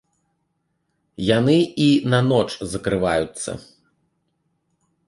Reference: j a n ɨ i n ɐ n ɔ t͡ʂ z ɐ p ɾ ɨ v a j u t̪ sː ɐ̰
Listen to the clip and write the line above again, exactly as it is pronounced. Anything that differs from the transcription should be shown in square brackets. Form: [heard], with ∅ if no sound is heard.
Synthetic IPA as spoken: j a n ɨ i n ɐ n ɔ t͡ʂ z ɐ [k] ɾ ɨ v a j u t̪ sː ɐ̰